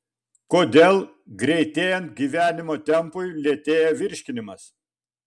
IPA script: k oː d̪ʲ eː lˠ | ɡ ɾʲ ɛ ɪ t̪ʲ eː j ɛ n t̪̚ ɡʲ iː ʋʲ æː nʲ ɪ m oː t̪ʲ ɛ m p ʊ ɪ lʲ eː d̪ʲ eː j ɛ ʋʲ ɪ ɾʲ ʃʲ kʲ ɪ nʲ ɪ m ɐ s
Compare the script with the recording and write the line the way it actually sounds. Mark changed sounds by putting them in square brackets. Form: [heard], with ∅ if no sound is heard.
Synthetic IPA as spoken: k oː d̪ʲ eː lˠ | ɡ ɾʲ ɛ ɪ t̪ʲ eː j ɛ n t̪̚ ɡʲ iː ʋʲ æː nʲ ɪ m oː t̪ʲ ɛ m p ʊ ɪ lʲ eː [t̪ʲ] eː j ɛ ʋʲ ɪ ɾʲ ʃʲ kʲ ɪ nʲ ɪ m ɐ s